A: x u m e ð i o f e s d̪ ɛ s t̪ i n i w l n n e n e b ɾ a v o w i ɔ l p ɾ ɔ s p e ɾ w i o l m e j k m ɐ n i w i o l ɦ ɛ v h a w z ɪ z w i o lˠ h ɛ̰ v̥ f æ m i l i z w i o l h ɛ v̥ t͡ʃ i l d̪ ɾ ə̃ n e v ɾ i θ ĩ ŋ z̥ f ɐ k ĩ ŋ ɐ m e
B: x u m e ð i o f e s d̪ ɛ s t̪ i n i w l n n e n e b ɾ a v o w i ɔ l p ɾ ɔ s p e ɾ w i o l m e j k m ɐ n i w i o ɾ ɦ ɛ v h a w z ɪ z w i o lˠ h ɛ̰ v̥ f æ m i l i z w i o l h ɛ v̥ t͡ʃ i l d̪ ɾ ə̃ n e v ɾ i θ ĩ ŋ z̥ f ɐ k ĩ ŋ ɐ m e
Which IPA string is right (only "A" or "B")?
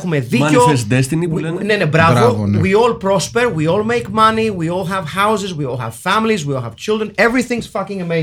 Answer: A